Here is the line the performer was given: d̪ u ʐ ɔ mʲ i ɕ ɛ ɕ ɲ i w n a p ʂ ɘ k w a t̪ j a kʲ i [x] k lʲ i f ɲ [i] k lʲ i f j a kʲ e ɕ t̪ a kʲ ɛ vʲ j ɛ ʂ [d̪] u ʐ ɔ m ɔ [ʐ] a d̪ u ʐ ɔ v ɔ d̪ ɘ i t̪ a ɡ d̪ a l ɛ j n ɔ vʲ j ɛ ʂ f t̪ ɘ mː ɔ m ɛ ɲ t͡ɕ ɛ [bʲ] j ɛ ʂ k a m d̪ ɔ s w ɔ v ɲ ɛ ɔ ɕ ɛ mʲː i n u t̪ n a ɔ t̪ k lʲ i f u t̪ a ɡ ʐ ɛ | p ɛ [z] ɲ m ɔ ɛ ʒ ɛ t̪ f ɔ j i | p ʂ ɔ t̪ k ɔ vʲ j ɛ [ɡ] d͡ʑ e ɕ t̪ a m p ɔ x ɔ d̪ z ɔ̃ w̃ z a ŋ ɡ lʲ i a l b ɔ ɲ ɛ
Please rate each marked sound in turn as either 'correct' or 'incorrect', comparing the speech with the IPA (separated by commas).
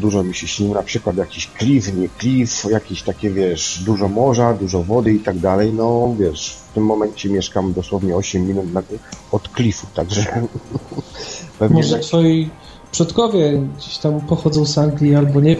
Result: incorrect, incorrect, correct, correct, incorrect, incorrect, correct